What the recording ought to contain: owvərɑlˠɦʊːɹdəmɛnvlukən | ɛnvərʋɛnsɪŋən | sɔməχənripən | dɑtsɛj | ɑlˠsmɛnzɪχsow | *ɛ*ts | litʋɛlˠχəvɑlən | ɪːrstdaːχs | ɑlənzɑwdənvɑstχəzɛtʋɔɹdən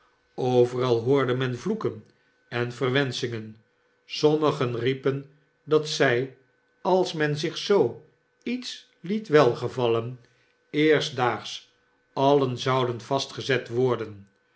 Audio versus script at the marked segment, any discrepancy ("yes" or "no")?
yes